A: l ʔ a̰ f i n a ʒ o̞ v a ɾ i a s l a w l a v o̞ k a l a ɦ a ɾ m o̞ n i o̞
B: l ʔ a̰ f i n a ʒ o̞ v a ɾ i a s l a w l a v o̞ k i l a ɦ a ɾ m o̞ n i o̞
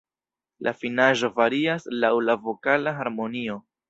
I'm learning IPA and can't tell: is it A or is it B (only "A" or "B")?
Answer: A